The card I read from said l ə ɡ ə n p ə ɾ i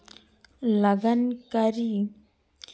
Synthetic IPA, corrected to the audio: l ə ɡ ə n k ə ɾ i